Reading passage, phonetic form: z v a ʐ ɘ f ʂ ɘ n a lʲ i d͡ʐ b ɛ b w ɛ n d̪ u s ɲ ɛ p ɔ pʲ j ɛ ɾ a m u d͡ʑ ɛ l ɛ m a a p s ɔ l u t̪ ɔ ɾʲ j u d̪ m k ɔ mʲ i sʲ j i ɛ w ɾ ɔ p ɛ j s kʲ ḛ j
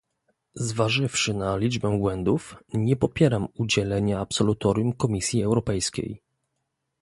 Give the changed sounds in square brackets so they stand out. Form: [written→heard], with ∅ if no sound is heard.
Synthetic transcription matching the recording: z v a ʐ ɘ f ʂ ɘ n a lʲ i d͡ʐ b ɛ b w ɛ n d̪ u [s→f] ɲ ɛ p ɔ pʲ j ɛ ɾ a m u d͡ʑ ɛ l ɛ [m→ɲ] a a p s ɔ l u t̪ ɔ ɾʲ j u [d̪→∅] m k ɔ mʲ i sʲ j i ɛ w ɾ ɔ p ɛ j s kʲ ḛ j